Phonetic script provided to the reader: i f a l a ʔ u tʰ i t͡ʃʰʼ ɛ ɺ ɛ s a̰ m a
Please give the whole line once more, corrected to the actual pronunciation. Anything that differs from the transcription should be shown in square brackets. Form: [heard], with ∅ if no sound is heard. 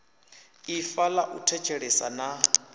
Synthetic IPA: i f a l a ʔ u tʰ [ɛ] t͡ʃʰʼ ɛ ɺ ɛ s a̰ [n] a